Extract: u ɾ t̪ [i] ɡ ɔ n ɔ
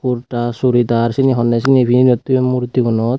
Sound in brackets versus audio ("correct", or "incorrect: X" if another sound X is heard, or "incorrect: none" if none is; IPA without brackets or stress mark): correct